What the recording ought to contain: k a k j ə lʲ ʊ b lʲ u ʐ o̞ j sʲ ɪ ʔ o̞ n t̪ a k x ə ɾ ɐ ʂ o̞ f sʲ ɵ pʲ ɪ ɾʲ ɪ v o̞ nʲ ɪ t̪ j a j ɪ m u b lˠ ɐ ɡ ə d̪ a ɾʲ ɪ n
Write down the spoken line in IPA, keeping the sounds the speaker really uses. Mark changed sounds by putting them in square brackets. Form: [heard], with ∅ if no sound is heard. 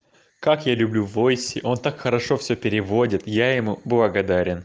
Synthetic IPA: k a k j [a] lʲ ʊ b lʲ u [v] o̞ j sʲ ɪ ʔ o̞ n t̪ a k x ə ɾ ɐ ʂ o̞ f sʲ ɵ pʲ ɪ ɾʲ ɪ v o̞ [dʲ] ɪ t̪ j a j ɪ m u b lˠ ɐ ɡ [ɐ] d̪ a ɾʲ ɪ n